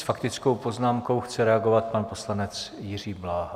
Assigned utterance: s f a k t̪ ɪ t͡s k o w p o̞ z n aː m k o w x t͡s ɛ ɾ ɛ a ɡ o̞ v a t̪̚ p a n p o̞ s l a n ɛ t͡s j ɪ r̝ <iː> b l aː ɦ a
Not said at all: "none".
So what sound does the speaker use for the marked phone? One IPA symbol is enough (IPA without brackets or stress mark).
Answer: iː